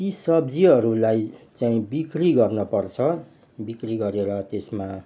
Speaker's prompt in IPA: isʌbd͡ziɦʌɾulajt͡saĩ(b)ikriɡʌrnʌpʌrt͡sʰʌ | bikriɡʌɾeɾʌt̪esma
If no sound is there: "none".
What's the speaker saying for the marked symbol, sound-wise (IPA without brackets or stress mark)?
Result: b